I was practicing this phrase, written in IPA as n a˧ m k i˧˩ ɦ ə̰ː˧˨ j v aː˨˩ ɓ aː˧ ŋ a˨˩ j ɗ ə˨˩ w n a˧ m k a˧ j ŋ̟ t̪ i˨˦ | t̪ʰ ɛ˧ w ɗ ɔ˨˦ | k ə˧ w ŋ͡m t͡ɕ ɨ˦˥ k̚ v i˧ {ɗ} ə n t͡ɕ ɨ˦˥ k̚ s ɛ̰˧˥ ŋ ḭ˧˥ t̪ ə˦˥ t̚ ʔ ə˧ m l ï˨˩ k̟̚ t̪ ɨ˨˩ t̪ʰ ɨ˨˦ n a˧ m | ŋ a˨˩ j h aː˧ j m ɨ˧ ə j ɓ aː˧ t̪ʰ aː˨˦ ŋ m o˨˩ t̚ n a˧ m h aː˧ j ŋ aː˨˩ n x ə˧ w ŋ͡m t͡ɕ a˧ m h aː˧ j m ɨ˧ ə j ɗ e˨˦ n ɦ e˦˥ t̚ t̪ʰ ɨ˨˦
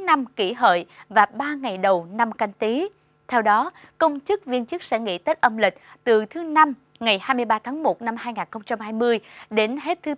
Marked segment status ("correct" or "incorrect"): incorrect